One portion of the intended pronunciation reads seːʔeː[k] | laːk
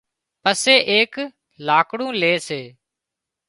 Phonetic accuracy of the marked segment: correct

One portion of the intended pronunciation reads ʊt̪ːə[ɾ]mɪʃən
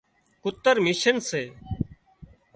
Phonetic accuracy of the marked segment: correct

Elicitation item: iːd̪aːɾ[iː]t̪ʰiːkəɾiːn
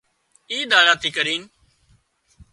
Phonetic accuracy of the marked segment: incorrect: aː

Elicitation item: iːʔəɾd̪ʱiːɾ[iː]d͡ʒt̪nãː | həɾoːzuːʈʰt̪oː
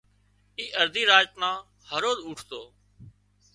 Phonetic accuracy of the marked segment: incorrect: aː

